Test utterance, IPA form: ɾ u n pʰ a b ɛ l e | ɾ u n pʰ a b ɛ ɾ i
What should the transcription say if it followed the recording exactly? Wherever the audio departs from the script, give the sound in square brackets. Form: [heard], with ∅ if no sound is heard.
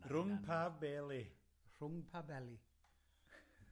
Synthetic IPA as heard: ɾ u [ŋ] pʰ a b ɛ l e | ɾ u [ŋ] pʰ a b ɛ [l] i